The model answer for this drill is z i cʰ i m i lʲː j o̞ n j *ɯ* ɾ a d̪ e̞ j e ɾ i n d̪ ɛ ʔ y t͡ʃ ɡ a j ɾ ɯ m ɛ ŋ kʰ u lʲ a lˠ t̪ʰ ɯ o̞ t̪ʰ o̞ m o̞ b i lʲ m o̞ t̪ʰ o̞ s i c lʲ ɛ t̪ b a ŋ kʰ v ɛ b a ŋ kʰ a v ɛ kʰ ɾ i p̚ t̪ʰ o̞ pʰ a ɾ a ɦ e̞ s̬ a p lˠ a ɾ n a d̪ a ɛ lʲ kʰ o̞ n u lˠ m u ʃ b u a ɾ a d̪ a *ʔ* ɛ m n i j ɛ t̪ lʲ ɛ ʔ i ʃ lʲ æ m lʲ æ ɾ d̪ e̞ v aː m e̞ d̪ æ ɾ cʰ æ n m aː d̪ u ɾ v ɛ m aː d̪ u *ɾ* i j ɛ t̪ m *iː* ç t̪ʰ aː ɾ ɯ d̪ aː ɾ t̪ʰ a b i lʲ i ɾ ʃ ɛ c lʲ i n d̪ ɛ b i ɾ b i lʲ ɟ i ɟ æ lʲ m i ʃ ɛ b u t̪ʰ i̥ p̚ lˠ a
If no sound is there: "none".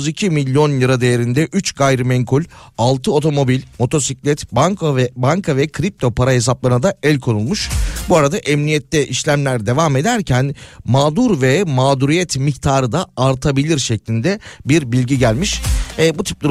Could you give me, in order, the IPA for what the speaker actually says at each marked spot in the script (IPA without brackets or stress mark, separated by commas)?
ɯ, ʔ, ɾ, i